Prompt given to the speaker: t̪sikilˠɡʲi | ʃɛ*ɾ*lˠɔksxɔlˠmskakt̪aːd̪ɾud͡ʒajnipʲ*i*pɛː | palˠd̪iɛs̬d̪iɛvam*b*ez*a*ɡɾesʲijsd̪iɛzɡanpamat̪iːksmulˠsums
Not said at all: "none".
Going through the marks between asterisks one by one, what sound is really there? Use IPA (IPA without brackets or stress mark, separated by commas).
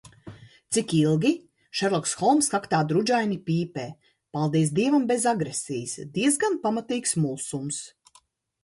ɾ, iː, b, a